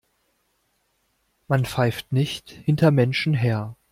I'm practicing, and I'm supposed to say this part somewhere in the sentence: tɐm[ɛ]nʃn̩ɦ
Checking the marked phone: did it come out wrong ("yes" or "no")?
no